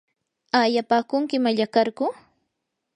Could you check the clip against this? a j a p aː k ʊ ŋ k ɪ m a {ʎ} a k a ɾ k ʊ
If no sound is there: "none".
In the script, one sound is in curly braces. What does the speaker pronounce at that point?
ʎ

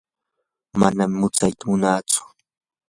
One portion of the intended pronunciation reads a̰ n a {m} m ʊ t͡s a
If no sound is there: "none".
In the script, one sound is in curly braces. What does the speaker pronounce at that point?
m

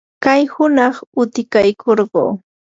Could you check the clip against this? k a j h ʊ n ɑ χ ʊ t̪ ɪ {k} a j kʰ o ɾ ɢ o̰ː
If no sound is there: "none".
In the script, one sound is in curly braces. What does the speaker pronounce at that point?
k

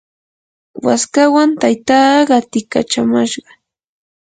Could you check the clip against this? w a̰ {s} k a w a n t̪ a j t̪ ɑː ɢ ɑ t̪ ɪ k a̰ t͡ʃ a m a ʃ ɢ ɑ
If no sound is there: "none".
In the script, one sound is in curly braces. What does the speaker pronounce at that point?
s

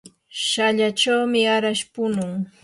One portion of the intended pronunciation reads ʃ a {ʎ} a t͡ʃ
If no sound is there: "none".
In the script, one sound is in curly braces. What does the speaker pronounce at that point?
ʎ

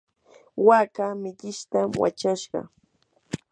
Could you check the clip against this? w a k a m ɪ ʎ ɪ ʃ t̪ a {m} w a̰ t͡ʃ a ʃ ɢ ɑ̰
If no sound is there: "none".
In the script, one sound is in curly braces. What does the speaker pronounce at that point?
m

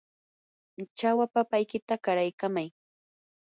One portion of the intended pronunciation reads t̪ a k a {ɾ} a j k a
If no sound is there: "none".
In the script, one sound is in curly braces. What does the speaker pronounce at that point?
ɾ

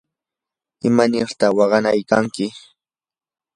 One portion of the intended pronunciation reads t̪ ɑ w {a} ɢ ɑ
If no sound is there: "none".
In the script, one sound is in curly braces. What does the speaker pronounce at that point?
ɑ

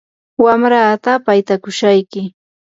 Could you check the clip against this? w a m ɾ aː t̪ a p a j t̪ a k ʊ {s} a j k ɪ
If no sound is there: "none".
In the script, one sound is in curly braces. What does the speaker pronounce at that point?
ʃ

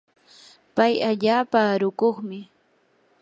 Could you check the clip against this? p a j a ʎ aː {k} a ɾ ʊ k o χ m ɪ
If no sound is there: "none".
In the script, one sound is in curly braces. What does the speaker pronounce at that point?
p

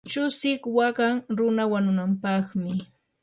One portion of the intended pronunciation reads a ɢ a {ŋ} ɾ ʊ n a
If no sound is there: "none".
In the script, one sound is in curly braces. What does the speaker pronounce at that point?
ŋ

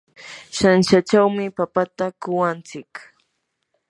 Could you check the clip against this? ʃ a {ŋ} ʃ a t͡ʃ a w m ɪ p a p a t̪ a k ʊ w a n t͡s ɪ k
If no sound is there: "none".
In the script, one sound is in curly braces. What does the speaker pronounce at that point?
n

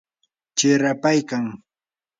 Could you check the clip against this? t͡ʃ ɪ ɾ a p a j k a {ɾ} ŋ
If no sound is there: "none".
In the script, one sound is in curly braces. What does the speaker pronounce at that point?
none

